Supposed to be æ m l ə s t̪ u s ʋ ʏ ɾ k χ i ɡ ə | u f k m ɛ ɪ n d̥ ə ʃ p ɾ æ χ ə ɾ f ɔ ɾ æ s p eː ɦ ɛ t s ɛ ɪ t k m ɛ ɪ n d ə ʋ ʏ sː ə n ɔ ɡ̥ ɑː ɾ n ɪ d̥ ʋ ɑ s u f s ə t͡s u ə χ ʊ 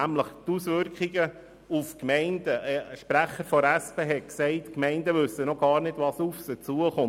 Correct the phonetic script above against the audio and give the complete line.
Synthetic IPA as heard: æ m l ə χ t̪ u s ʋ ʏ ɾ k χ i ɡ ə | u f k m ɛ ɪ n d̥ ə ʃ p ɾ æ χ ə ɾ f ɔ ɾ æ s p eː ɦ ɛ k s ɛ ɪ t k m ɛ ɪ n d ə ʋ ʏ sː ə n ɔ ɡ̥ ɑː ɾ n ɪ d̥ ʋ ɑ s u f s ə t͡s u ə χ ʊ